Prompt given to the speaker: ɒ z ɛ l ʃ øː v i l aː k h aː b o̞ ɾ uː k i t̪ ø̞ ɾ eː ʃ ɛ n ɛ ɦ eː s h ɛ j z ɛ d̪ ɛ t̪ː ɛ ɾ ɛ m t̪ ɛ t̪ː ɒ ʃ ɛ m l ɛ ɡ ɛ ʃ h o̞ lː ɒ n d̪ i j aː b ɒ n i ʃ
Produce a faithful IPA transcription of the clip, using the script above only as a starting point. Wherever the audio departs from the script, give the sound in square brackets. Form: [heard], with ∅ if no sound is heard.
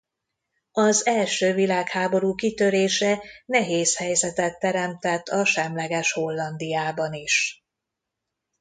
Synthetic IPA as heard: ɒ z ɛ l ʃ øː v i l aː k h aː b o̞ ɾ uː k i t̪ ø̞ ɾ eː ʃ ɛ n ɛ ɦ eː s h ɛ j z ɛ [t̪] ɛ t̪ː ɛ ɾ ɛ m t̪ ɛ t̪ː ɒ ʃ ɛ m l ɛ ɡ ɛ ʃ h o̞ lː ɒ n d̪ i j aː b ɒ n i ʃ